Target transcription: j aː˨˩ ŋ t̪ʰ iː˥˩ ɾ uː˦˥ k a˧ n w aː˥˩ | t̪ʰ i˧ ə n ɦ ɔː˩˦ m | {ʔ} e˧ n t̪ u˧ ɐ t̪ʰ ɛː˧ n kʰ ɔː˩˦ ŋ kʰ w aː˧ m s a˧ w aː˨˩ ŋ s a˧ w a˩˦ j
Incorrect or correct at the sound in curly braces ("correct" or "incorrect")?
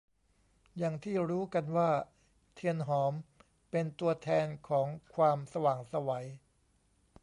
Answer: incorrect